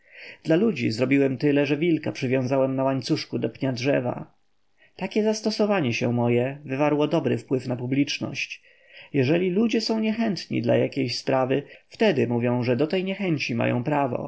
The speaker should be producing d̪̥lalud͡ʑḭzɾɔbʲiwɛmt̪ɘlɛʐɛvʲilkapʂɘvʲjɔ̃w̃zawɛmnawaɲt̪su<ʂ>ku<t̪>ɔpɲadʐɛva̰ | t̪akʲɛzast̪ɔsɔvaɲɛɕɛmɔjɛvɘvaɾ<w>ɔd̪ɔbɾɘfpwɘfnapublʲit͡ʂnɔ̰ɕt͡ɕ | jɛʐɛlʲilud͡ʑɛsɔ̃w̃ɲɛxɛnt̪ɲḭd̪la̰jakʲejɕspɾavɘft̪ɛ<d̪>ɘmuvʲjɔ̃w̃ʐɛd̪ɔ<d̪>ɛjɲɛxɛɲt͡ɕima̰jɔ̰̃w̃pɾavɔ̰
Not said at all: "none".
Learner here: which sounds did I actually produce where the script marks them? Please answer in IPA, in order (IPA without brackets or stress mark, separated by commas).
ʂ, d̪, w, d̪, t̪